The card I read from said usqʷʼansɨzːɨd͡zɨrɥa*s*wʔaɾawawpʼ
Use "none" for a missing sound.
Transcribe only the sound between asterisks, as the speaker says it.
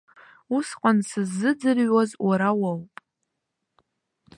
z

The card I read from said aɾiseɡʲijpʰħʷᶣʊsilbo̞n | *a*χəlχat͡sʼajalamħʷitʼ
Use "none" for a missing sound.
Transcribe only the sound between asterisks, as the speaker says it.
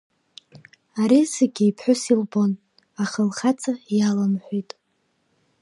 a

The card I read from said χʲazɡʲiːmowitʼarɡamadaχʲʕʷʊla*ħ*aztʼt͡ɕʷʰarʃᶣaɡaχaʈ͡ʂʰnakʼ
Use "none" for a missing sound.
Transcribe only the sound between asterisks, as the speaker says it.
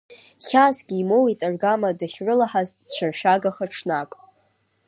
ħ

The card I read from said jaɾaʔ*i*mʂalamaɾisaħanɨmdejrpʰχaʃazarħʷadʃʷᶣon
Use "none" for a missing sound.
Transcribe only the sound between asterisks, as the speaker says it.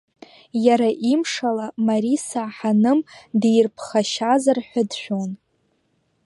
i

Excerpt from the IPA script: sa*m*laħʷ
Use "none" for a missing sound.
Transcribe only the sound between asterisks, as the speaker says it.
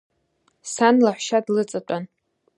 n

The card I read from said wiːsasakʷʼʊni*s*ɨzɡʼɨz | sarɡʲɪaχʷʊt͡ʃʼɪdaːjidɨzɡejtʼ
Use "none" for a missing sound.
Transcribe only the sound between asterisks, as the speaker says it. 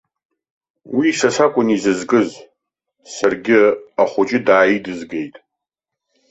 z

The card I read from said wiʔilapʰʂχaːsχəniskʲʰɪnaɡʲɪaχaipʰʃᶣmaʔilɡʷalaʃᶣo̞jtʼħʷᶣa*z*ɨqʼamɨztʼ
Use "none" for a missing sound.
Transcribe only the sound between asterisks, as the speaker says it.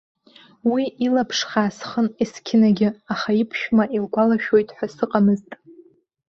s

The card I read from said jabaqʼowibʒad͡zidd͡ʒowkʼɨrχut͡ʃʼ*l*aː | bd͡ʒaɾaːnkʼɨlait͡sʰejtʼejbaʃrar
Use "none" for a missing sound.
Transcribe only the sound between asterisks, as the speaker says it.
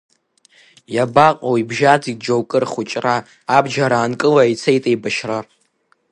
r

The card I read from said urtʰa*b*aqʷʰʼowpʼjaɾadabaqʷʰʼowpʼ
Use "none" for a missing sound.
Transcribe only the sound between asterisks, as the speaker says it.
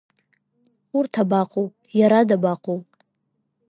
b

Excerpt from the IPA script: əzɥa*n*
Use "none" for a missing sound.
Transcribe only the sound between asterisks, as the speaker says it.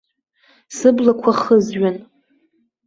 n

